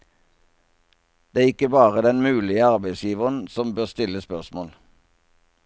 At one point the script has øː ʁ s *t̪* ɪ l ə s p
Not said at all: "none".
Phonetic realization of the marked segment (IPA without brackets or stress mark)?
t̪